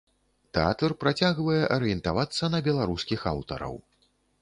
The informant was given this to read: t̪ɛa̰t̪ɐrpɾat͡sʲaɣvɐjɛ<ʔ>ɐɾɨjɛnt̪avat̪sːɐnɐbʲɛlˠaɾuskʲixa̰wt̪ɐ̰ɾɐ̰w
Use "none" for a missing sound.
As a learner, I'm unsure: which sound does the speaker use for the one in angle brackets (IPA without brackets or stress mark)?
ʔ